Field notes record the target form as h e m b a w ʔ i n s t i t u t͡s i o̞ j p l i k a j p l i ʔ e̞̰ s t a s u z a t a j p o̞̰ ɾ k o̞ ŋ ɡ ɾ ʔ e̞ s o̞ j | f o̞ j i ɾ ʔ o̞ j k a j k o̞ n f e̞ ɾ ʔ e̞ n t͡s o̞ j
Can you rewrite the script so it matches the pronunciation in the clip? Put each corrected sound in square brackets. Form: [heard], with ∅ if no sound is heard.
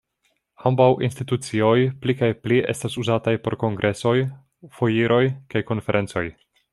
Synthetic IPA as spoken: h [a] m b a w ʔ i n s t i t u t͡s i o̞ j p l i k a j p l i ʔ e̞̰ s t a s u z a t a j p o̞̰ ɾ k o̞ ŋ ɡ ɾ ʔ e̞ s o̞ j | f o̞ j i ɾ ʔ o̞ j k a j k o̞ n f e̞ ɾ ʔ e̞ n t͡s o̞ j